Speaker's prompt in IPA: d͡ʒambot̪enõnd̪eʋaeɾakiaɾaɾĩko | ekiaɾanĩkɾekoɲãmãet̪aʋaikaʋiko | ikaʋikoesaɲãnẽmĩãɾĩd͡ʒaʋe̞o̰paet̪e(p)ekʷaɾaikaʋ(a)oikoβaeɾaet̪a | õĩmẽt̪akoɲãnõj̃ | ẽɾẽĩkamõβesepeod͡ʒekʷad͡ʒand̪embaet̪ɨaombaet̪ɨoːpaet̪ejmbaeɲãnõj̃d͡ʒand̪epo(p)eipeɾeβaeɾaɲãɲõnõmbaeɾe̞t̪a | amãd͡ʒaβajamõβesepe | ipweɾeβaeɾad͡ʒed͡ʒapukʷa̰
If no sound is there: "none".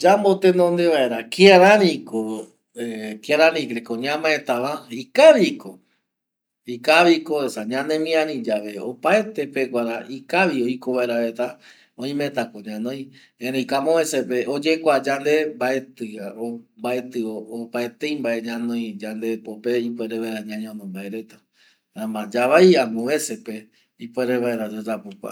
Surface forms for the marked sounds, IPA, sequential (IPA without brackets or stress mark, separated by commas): p, i, p